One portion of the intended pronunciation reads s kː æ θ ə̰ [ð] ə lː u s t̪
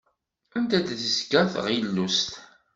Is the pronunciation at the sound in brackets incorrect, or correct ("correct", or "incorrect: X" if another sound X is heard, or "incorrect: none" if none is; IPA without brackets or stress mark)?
incorrect: ʁ